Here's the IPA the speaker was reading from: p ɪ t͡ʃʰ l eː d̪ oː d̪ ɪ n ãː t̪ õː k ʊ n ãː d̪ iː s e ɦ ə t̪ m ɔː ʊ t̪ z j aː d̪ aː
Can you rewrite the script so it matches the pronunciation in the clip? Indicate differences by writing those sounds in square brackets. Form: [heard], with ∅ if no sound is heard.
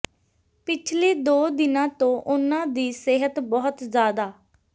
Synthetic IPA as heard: p ɪ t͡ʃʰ l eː d̪ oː d̪ ɪ n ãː t̪ õː [ʔ] ʊ n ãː d̪ iː s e ɦ ə t̪ [b] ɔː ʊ t̪ z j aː d̪ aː